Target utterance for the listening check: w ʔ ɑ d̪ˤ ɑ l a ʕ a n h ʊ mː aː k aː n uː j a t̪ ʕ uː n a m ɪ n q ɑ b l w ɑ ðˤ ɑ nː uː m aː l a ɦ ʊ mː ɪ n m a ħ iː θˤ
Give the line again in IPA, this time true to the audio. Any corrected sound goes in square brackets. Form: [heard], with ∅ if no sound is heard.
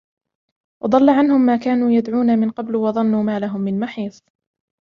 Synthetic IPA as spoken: w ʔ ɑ d̪ˤ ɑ [lː] a ʕ a n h ʊ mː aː k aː n uː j a [d̪] ʕ uː n a m ɪ n q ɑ b l w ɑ ðˤ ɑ nː uː m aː l a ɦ ʊ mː ɪ n m a ħ iː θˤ